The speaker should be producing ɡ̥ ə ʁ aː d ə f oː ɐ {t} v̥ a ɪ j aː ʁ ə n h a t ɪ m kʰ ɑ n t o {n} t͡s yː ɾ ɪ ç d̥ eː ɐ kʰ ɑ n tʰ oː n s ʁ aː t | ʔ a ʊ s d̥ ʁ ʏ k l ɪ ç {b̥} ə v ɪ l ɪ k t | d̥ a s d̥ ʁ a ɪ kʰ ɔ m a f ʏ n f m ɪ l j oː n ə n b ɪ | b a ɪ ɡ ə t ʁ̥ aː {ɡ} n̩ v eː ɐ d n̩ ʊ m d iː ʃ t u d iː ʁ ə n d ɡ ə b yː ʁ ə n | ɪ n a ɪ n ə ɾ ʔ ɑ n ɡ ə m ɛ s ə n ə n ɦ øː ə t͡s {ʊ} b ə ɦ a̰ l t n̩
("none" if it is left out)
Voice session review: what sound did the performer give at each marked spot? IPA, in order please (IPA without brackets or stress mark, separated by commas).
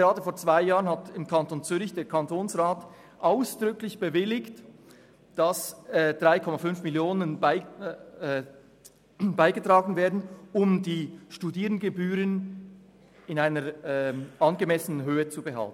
t͡s, n, b̥, ɡ, u